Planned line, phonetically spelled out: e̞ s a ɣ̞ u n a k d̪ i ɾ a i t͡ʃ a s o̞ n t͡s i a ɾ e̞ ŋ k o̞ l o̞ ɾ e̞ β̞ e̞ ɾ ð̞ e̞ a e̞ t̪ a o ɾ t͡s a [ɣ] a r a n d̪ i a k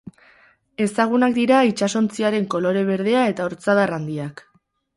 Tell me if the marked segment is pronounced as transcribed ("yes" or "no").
no